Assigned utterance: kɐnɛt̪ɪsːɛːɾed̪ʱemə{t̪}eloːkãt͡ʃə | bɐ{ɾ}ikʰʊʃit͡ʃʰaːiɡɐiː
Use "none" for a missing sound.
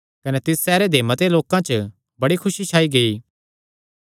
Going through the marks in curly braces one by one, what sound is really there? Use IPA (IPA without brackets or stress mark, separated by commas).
t̪, ɽ